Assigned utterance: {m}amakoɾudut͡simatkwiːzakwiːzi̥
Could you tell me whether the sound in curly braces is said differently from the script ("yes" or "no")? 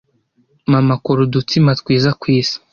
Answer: no